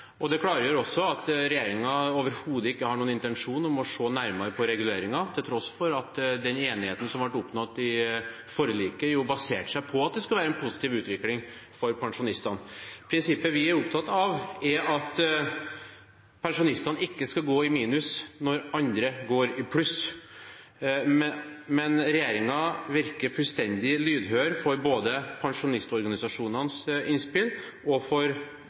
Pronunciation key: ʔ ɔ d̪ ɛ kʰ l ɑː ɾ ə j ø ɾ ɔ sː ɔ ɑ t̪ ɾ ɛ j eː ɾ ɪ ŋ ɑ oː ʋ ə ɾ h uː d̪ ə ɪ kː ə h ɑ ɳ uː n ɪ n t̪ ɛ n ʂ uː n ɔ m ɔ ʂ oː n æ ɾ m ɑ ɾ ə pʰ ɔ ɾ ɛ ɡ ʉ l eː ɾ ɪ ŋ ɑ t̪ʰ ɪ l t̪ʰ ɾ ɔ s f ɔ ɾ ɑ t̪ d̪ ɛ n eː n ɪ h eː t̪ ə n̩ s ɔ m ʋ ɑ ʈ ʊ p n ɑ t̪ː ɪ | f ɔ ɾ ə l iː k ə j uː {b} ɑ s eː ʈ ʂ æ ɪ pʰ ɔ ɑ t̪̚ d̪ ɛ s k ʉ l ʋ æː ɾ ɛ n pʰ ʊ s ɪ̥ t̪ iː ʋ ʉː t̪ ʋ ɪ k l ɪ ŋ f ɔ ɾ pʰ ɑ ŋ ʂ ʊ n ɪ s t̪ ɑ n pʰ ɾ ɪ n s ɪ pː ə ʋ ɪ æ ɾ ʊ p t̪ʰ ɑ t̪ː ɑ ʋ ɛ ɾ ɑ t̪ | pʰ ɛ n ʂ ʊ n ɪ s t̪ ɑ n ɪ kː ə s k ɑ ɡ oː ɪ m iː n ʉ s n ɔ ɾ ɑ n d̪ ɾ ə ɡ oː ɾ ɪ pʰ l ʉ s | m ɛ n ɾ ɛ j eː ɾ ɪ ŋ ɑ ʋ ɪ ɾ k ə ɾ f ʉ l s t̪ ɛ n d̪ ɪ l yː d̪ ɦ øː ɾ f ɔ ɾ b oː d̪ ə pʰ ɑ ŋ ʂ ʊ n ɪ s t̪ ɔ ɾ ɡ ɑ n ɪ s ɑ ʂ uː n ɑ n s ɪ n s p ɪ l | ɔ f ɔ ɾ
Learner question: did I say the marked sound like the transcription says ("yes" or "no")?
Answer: yes